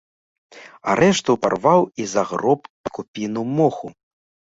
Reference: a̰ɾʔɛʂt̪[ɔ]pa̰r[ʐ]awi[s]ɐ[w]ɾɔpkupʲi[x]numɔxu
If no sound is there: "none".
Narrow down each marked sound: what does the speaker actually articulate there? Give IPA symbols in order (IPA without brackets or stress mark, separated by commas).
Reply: u, v, z, ɣ, none